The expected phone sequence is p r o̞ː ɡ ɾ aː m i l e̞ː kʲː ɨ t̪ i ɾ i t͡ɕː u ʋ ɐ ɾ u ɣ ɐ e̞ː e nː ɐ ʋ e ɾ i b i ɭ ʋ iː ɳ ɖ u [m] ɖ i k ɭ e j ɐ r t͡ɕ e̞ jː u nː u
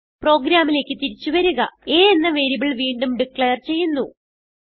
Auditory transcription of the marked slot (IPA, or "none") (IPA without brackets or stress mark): m